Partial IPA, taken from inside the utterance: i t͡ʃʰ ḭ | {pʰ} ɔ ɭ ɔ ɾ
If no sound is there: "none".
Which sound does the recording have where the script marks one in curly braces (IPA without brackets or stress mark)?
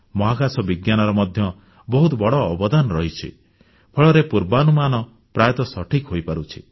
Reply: pʰ